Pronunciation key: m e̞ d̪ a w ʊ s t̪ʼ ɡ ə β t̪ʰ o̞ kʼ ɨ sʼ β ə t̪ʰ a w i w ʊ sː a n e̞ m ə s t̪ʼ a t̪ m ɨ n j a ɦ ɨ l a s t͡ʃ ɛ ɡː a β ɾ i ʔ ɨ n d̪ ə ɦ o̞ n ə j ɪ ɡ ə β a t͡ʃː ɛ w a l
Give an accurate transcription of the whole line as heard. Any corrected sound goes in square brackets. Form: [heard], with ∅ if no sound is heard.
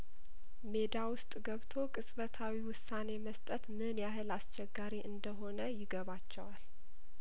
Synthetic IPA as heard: m e̞ d̪ a w ʊ s t̪ʼ ɡ ə β t̪ʰ o̞ kʼ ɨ sʼ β ə t̪ʰ a w i w ʊ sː a n e̞ m ə s t̪ʼ [ə] t̪ m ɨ n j a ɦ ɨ l a s t͡ʃ ɛ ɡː a [∅] ɾ i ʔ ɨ n d̪ ə ɦ o̞ n ə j ɪ ɡ ə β a t͡ʃː ɛ w a l